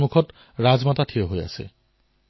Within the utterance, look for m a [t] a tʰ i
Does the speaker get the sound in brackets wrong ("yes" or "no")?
no